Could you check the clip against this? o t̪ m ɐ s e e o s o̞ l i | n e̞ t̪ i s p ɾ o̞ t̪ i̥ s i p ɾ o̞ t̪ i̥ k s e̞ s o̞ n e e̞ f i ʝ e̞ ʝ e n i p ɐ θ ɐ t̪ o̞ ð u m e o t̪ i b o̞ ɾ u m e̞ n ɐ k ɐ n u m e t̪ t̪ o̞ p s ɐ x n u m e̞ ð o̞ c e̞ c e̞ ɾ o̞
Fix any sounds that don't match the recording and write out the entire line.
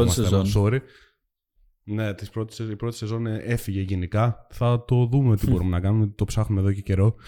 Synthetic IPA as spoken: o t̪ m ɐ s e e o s o̞ ɾ i | n e̞ t̪ i s p ɾ o̞ t̪ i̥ s i p ɾ o̞ t̪ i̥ s e̞ z o̞ n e e̞ f i ʝ e̞ ʝ e n i k ɐ θ ɐ t̪ o̞ ð u m e o t̪ i b o̞ ɾ u m e̞ n ɐ k ɐ n u m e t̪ t̪ o̞ p s ɐ x n u m e̞ ð o̞ c e̞ c e̞ ɾ o̞